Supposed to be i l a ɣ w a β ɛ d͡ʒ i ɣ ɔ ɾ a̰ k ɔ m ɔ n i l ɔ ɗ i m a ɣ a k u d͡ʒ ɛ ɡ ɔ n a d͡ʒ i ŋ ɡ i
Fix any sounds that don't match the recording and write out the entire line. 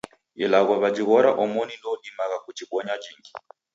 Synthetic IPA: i l a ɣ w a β a d͡ʒ i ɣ ɔ ɾ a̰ ʔ ɔ m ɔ n i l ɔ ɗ i m a ɣ a k u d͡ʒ i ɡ ɔ ɲ a d͡ʒ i ŋ ɡ i